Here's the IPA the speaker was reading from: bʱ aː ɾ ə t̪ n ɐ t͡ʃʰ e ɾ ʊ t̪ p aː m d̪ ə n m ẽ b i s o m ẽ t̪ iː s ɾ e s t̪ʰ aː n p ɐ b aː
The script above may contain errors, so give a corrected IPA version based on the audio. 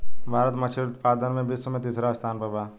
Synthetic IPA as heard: bʱ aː ɾ ə t̪ m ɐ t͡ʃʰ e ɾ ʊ t̪ p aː d̪ ə n m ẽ b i s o m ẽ t̪ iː s ɾ a s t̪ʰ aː n p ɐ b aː